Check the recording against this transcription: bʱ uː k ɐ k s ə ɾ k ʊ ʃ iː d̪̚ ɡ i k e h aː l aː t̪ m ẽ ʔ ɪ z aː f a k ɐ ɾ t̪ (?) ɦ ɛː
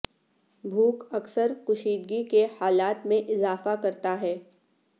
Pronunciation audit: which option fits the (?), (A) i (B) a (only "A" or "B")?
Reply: B